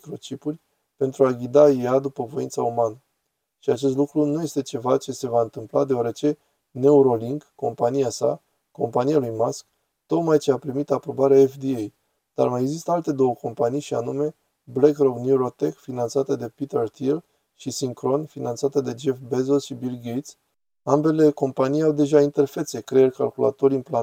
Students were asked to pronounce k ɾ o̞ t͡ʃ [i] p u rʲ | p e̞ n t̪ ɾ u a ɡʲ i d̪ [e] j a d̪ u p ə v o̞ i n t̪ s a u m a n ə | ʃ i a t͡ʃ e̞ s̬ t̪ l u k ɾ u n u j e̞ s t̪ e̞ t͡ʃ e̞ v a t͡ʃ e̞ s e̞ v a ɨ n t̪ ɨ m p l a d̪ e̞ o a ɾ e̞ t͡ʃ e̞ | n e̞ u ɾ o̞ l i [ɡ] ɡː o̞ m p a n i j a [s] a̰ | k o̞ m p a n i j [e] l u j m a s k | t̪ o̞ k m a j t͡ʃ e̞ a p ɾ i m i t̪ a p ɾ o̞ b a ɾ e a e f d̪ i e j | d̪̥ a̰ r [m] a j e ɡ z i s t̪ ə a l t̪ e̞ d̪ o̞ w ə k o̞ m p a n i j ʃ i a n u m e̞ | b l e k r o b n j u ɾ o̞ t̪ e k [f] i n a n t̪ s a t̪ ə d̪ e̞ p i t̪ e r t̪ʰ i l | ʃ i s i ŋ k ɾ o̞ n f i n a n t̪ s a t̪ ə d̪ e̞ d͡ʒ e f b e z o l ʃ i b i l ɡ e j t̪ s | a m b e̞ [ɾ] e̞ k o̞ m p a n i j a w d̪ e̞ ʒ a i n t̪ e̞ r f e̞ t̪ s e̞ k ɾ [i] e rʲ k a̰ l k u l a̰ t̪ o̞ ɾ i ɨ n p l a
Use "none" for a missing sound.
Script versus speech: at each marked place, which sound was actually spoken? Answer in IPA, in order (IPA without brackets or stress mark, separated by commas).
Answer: i, a, ŋ, s, a, m, f, l, e